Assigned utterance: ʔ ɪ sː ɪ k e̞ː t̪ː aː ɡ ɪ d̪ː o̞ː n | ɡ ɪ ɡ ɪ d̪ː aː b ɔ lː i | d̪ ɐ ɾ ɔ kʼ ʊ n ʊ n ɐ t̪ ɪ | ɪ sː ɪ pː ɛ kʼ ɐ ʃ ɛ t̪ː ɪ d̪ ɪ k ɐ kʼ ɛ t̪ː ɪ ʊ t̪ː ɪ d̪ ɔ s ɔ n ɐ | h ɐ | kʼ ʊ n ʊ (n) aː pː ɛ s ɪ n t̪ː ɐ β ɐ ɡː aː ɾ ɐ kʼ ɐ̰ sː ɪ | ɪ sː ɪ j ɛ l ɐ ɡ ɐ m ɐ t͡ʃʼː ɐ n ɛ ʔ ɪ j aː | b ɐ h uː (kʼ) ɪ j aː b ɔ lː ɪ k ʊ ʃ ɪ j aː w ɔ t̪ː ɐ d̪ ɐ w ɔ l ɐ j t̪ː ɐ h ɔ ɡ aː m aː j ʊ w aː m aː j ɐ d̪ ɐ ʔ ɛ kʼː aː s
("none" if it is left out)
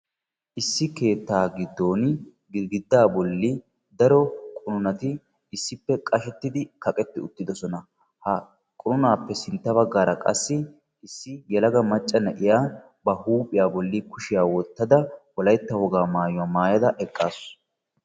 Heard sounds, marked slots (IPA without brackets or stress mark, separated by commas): n, pʼ